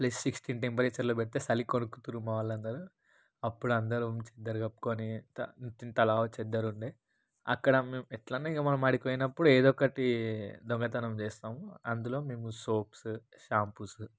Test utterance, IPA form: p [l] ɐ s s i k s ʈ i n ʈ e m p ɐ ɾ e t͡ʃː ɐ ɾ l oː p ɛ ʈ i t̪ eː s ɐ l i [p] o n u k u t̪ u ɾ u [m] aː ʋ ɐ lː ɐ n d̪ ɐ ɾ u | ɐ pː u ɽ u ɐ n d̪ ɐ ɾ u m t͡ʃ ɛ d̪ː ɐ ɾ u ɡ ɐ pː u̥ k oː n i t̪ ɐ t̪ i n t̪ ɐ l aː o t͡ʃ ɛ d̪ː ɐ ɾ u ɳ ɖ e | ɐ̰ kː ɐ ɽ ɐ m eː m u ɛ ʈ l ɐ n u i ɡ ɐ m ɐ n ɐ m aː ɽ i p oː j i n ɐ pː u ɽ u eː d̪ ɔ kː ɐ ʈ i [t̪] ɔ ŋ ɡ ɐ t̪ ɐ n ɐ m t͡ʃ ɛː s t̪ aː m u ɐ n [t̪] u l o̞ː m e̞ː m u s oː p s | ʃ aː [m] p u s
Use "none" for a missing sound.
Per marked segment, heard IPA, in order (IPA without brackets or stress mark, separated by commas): l, k, m, d̪, d̪, m